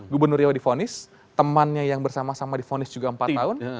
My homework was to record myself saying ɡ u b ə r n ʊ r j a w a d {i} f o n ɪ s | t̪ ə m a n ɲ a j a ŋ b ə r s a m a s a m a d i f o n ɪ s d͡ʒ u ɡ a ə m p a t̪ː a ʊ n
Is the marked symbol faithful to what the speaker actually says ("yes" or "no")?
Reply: yes